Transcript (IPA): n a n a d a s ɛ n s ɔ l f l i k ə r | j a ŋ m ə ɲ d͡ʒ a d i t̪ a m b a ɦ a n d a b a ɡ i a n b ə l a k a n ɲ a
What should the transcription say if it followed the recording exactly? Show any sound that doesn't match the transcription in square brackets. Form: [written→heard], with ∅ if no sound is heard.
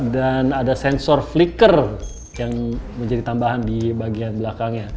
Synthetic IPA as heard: [n→d] a n a d a s ɛ n s ɔ [l→r] f l i k ə r | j a ŋ m ə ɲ d͡ʒ a d i t̪ a m b a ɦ a n d [a→i] b a ɡ i a n b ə l a k a [n→ŋ] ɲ a